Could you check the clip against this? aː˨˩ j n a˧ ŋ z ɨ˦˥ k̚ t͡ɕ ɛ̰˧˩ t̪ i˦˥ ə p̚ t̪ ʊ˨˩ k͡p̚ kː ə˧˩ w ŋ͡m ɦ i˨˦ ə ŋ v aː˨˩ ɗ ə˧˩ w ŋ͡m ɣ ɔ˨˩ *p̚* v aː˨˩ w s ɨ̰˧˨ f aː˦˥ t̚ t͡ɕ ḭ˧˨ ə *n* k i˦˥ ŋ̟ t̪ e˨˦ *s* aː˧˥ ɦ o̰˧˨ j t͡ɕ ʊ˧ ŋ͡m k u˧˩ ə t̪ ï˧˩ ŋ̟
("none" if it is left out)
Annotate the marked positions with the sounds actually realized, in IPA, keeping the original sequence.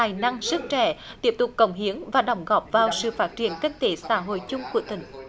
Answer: p̚, n, s

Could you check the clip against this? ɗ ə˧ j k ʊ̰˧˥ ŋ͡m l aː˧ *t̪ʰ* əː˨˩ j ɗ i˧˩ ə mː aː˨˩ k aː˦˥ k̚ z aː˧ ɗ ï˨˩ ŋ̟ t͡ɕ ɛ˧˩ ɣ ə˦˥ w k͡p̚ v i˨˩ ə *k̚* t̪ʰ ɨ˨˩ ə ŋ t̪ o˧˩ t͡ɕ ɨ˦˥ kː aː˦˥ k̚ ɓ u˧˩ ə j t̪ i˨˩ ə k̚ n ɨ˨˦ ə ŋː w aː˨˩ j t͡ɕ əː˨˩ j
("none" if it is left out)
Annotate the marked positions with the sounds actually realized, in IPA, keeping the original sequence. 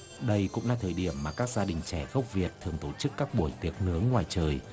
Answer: t̪ʰ, t̚

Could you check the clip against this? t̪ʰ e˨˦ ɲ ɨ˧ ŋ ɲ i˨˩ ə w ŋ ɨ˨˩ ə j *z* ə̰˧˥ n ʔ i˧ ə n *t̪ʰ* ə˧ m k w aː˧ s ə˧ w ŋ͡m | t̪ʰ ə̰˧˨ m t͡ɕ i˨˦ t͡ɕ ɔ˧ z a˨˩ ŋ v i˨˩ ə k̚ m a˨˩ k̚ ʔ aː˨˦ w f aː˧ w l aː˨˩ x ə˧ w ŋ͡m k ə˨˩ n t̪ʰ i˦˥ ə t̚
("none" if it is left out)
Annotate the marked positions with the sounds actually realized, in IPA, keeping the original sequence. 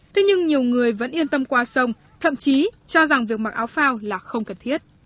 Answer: v, t̪

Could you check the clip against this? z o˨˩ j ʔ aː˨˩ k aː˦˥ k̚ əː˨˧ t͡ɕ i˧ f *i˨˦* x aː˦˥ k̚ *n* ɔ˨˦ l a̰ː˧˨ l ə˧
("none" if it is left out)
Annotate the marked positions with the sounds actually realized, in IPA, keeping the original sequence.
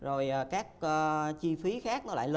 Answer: i˨˦, n

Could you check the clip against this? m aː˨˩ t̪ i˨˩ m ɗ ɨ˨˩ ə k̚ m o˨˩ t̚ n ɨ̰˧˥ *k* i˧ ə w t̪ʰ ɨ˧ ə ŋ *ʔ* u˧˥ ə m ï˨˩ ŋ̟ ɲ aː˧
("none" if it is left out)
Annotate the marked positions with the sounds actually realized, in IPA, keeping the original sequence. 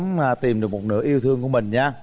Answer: ʔ, k

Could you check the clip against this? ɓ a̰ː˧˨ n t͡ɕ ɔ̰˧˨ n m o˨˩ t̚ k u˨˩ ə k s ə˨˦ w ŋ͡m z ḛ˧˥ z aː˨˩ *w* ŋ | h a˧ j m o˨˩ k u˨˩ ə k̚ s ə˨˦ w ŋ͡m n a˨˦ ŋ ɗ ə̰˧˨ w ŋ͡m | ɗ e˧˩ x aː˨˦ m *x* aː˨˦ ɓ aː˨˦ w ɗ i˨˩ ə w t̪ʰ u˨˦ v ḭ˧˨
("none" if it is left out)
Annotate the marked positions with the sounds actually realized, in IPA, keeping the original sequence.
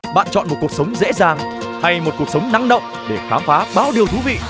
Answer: none, f

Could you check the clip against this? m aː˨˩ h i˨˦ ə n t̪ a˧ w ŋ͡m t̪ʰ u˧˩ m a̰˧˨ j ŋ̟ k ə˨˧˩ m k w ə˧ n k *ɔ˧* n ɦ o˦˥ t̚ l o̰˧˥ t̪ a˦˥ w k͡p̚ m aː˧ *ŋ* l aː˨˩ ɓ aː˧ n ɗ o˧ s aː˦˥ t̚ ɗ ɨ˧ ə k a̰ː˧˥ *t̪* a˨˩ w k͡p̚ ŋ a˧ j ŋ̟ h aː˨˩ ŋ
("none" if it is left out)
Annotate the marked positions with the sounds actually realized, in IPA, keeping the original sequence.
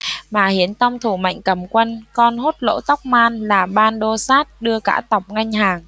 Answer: ɔ˧, n, t̪

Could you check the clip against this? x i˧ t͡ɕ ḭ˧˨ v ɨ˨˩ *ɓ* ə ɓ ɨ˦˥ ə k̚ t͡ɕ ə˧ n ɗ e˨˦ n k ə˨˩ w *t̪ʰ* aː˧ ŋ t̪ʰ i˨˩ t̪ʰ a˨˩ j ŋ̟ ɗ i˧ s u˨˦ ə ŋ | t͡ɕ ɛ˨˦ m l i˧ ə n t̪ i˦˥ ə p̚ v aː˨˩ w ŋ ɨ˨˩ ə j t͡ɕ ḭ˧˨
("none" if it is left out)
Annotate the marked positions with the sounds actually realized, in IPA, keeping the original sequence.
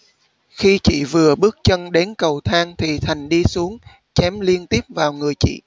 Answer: none, t̪ʰ

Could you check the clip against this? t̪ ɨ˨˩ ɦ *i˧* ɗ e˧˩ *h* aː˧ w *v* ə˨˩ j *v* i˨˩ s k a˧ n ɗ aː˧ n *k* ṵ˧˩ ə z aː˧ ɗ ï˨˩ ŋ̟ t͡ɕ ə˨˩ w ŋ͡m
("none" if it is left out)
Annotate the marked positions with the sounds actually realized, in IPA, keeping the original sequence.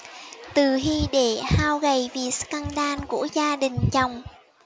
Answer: i˧, h, ɣ, v, k

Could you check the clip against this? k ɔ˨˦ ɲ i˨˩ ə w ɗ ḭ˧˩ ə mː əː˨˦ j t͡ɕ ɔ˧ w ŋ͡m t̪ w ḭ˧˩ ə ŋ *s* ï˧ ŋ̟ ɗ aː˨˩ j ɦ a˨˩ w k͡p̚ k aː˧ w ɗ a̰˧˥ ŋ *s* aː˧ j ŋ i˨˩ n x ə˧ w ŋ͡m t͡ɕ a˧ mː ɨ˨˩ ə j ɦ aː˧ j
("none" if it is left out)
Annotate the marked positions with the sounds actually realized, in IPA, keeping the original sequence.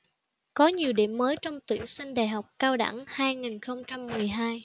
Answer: s, h

